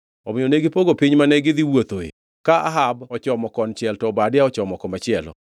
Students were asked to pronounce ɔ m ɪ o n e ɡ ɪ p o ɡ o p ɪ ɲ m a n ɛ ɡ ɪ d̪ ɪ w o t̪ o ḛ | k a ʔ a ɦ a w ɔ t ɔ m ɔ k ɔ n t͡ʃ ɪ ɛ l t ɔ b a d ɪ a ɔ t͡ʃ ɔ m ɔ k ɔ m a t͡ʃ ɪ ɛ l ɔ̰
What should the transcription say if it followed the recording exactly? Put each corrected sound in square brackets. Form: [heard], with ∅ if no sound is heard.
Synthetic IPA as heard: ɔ m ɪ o n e ɡ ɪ p o ɡ o p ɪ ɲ m a n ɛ ɡ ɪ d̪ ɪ w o t̪ o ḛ | k a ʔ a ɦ a [b] ɔ [t͡ʃ] ɔ m ɔ k ɔ n t͡ʃ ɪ ɛ l t ɔ b a d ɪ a ɔ t͡ʃ ɔ m ɔ k ɔ m a t͡ʃ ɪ ɛ l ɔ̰